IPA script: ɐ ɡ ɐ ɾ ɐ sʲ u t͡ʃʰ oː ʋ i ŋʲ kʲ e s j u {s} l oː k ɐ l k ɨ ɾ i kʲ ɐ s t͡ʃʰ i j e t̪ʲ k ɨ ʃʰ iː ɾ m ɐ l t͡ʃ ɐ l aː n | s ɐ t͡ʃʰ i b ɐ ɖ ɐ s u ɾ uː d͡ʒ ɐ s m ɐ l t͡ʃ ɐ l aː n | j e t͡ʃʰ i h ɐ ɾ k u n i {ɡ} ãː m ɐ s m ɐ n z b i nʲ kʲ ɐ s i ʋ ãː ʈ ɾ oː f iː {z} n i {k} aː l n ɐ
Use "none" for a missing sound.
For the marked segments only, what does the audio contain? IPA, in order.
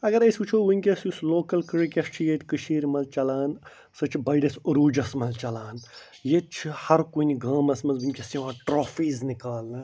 s, ɡ, z, k

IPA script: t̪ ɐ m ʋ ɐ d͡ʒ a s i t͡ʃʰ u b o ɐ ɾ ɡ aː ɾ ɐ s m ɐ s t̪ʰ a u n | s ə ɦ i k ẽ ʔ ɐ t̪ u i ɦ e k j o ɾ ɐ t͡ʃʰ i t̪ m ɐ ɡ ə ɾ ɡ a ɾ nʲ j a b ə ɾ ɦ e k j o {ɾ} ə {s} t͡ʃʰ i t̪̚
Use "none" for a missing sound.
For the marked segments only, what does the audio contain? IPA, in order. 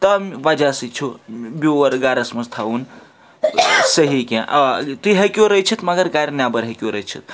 ɾ, none

